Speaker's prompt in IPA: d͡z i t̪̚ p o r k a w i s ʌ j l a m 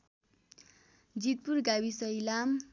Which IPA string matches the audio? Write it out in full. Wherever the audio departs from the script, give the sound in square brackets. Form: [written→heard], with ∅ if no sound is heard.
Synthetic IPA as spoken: d͡z i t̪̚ p [o→u] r [k→ɡ] a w i s ʌ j l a m